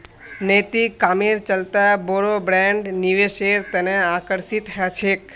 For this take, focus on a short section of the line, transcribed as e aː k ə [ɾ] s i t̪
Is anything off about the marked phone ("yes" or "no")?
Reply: no